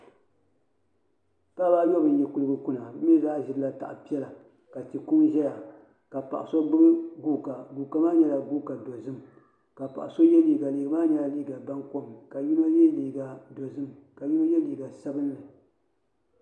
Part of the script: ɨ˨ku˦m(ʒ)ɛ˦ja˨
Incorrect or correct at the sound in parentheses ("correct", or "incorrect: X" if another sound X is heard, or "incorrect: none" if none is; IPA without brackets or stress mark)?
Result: correct